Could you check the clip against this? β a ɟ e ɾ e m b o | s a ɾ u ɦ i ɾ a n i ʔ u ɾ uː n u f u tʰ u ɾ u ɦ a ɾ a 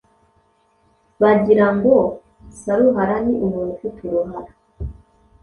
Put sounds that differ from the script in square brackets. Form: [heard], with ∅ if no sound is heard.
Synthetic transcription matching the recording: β a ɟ [i] ɾ [a] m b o | s a ɾ u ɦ [a] ɾ a n i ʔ u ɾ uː n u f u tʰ u ɾ u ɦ a ɾ a